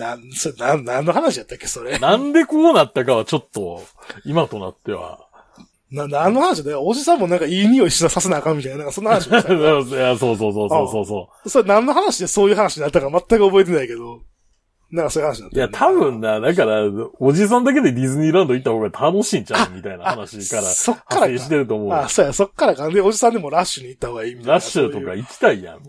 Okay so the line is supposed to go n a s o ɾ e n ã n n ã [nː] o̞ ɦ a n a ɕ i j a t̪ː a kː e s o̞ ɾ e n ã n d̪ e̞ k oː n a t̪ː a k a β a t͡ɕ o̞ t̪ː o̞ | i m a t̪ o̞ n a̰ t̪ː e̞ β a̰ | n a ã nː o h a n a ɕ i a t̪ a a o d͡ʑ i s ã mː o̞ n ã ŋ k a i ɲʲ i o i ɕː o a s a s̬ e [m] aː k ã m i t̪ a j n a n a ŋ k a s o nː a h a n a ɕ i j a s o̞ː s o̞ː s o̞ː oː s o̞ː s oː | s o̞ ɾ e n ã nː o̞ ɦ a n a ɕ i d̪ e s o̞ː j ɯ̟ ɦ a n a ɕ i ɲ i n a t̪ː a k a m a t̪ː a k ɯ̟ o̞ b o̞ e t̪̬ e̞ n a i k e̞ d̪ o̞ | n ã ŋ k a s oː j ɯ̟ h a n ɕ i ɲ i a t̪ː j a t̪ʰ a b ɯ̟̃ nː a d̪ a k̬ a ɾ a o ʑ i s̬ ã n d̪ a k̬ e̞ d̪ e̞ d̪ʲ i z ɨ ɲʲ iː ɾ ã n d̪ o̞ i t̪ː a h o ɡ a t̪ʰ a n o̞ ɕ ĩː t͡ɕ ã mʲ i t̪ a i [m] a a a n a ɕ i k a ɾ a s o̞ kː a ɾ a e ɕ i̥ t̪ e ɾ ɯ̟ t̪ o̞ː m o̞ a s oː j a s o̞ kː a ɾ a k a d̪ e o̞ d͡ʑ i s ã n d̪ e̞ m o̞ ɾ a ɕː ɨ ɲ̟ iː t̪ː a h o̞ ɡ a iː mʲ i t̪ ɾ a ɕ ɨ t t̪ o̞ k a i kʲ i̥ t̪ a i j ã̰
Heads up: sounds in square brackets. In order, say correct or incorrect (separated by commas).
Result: correct, incorrect, incorrect